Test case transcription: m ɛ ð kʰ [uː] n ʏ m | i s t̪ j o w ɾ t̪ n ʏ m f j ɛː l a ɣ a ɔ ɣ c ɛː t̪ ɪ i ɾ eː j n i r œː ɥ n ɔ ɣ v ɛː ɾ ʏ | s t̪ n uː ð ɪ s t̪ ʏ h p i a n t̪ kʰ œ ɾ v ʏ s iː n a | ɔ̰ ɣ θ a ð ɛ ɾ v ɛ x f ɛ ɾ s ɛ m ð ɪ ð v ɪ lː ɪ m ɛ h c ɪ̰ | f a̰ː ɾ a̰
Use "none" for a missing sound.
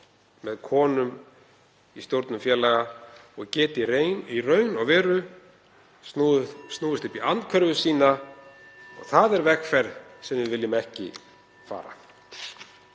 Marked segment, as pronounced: ɔː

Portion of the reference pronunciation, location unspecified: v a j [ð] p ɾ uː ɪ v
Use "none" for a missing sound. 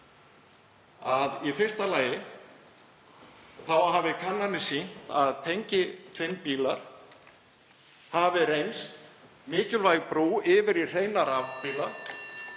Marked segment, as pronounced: ɣ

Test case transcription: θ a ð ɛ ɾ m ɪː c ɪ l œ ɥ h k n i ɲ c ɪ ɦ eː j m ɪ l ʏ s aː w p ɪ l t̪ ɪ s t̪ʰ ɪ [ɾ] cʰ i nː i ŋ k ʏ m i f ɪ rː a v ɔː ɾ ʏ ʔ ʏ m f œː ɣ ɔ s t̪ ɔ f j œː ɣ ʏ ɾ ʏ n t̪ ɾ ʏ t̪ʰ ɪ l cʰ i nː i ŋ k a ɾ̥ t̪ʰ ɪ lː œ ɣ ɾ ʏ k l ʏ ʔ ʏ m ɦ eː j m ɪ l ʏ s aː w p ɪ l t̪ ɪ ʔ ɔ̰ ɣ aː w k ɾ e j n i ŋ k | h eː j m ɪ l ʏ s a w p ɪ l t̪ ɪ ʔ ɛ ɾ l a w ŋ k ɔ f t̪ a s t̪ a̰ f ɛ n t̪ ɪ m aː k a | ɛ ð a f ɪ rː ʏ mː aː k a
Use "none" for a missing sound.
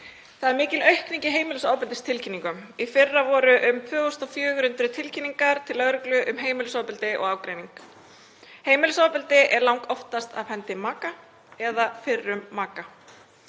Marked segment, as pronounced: l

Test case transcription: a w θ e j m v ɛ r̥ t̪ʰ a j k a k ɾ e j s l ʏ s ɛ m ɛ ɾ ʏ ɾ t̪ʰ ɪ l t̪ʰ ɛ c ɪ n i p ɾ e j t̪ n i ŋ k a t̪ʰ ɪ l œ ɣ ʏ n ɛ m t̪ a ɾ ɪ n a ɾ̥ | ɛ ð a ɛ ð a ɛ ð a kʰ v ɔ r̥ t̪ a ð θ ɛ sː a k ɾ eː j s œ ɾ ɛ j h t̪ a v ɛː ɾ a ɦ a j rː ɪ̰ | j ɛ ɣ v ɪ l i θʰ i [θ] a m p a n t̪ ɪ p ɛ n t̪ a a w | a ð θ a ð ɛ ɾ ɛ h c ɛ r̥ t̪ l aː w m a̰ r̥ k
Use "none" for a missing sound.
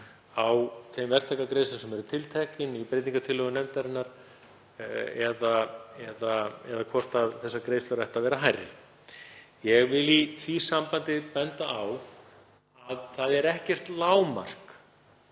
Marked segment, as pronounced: s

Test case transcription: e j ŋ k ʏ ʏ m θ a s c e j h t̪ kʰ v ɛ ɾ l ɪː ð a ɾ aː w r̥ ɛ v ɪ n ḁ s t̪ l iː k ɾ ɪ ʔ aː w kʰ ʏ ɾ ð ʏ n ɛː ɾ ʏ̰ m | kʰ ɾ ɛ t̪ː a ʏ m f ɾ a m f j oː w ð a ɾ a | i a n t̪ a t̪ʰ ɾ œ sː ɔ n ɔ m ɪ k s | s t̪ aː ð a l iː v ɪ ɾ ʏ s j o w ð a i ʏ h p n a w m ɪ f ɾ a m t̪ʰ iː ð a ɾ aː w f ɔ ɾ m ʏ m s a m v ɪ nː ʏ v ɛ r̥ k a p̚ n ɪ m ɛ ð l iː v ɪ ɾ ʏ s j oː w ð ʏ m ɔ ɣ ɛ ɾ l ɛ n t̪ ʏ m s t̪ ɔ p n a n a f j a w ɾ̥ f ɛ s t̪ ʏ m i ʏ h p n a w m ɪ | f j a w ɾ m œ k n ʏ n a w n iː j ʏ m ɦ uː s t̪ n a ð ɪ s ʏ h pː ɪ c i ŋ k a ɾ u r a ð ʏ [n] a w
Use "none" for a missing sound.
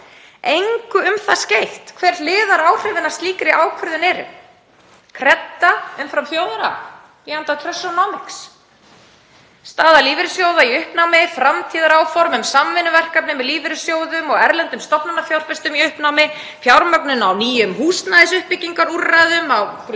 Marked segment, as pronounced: m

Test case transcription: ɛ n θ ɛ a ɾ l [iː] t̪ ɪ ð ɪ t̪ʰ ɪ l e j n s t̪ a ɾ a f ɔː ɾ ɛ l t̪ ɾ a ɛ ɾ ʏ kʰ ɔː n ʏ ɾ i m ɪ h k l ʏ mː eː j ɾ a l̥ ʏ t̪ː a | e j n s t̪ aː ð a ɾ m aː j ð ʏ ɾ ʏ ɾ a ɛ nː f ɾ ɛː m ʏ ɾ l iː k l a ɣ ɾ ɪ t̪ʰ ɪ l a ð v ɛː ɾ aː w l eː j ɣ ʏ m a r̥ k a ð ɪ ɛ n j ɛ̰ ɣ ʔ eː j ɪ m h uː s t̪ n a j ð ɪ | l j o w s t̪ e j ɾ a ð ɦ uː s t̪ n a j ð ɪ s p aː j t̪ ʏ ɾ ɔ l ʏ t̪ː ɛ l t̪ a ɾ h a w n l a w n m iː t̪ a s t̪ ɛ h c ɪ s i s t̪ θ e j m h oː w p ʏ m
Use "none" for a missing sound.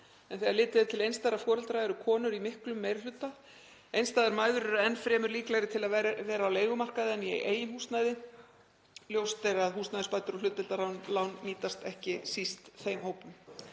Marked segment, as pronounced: ɪː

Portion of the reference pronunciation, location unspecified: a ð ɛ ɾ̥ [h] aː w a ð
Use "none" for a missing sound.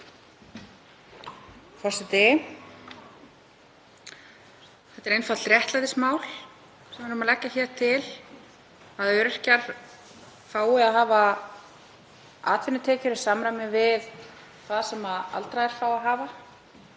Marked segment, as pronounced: f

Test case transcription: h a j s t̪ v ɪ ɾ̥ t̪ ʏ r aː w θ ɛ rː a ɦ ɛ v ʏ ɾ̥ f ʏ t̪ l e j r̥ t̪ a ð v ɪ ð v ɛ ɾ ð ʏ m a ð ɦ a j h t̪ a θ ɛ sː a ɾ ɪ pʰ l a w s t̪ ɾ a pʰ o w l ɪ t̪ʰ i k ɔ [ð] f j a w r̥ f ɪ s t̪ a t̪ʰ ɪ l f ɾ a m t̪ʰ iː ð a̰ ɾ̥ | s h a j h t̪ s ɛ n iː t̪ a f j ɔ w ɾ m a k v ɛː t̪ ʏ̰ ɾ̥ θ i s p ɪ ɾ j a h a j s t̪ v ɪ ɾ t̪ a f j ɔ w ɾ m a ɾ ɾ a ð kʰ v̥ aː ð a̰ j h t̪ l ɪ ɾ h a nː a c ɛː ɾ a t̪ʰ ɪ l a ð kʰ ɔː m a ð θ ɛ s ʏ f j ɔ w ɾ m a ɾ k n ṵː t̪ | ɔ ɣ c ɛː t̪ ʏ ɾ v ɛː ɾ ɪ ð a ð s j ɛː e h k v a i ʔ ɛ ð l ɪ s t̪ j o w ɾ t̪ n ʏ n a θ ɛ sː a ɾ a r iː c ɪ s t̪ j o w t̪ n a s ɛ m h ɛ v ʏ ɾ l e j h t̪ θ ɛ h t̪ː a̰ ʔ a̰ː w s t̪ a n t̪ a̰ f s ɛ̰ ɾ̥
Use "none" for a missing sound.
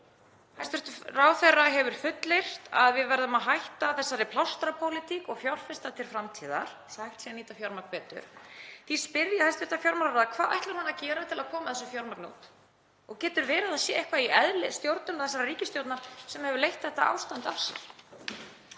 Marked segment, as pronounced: ɣ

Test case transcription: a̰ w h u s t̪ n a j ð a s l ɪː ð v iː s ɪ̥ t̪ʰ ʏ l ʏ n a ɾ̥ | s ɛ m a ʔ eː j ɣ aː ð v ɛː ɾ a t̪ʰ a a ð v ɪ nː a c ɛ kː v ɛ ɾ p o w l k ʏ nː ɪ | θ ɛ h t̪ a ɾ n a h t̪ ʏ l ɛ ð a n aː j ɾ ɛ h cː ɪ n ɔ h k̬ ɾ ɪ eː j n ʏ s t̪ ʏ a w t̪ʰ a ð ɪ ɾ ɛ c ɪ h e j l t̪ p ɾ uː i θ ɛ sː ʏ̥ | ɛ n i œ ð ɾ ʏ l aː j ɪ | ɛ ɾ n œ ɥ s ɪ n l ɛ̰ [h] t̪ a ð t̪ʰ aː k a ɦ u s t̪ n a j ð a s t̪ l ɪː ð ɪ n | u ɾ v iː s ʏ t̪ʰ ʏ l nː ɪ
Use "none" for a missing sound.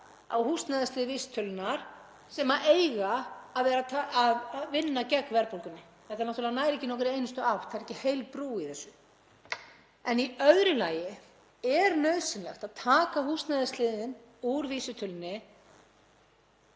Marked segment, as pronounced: x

